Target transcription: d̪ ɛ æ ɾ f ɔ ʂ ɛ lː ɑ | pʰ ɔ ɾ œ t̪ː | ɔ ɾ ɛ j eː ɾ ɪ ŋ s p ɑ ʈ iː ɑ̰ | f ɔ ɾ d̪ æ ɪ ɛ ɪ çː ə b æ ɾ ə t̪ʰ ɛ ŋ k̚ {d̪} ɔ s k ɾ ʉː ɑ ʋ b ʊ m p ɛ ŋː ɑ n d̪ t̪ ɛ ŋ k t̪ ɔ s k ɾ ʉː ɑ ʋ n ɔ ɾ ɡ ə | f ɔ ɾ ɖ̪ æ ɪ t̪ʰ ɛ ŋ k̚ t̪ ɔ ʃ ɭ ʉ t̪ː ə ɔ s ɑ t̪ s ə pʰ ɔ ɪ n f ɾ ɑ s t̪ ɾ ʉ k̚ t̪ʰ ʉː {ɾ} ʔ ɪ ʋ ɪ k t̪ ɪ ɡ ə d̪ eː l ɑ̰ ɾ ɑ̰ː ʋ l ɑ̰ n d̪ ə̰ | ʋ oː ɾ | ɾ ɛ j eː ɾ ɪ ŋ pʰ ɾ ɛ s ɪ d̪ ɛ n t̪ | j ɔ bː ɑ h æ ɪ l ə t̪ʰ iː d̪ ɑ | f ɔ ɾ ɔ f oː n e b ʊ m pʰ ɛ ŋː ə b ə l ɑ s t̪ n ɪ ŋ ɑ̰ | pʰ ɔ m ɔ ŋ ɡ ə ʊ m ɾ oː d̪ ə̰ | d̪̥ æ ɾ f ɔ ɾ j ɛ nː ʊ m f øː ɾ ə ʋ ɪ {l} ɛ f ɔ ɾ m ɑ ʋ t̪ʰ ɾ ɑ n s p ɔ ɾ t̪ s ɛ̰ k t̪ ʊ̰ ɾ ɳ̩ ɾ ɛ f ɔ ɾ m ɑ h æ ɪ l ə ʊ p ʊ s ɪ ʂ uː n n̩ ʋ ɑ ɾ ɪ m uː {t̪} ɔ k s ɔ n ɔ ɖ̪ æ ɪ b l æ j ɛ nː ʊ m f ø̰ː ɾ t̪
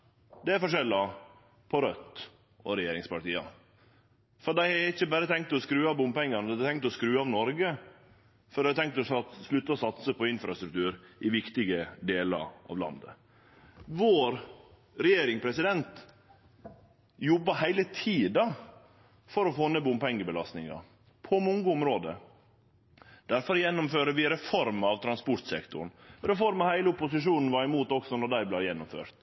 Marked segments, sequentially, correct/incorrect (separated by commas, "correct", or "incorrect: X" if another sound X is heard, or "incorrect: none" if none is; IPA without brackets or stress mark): incorrect: t̪, correct, incorrect: ɾ, correct